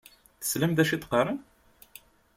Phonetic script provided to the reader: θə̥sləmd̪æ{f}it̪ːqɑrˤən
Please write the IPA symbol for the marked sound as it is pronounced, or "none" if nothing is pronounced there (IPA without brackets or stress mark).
ʃ